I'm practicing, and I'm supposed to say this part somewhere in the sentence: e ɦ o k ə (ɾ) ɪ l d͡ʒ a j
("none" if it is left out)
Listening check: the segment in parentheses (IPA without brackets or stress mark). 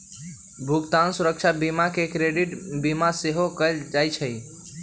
none